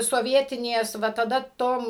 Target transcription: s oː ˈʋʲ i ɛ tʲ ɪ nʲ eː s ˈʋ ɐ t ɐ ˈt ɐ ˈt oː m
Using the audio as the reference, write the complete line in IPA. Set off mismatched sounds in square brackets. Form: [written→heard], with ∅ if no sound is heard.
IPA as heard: s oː ˈʋʲ i ɛ tʲ ɪ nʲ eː s ˈʋ ɐ t ɐ [ˈt→ˈd] ɐ ˈt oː m